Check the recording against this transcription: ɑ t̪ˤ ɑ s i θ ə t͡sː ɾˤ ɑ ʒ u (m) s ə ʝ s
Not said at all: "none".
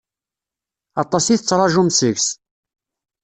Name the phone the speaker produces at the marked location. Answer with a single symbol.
m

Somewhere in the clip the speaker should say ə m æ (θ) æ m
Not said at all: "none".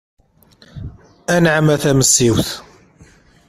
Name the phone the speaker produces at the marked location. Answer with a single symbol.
θ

